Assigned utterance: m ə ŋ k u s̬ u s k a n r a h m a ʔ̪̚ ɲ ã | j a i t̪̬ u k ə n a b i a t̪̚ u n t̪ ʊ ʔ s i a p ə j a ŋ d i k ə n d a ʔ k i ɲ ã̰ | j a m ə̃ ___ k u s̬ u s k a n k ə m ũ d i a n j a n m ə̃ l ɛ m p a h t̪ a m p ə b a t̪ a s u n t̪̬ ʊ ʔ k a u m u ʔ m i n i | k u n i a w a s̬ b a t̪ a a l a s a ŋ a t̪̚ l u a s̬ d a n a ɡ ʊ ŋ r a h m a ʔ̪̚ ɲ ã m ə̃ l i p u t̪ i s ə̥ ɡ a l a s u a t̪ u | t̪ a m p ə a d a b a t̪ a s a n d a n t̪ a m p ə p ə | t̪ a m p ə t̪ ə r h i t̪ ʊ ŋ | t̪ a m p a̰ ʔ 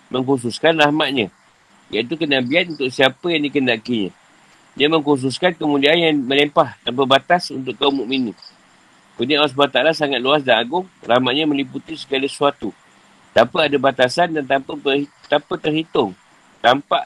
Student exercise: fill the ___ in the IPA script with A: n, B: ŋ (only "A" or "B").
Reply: B